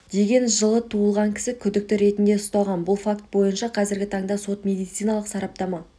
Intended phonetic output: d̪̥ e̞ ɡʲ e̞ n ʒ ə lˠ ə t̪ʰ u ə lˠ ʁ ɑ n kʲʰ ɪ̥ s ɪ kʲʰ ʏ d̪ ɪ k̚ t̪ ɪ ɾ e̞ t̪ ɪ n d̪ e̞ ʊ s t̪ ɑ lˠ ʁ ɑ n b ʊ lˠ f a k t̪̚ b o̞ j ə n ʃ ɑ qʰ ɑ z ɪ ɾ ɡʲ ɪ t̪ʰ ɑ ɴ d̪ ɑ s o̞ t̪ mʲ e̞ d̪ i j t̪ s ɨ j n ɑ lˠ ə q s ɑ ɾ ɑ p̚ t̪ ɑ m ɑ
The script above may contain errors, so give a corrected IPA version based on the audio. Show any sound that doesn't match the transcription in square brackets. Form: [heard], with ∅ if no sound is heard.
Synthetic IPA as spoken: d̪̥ e̞ ɡʲ e̞ n ʒ ə lˠ ə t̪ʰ u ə lˠ ʁ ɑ [ŋ] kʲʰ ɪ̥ s ɪ kʲʰ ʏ d̪ ɪ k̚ t̪ ɪ ɾ e̞ t̪ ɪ n d̪ e̞ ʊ s t̪ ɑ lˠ ʁ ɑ n b ʊ lˠ f a k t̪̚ b o̞ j ə n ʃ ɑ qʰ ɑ z ɪ ɾ ɡʲ ɪ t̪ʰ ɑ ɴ d̪ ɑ s o̞ t̪ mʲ e̞ d̪ i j t̪ s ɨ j n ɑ lˠ ə q s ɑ ɾ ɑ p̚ t̪ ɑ m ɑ